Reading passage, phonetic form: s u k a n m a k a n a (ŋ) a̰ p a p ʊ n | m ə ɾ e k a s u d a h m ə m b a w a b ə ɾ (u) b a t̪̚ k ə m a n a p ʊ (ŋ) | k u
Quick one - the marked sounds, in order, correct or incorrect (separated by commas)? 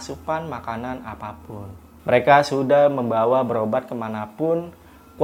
incorrect, incorrect, incorrect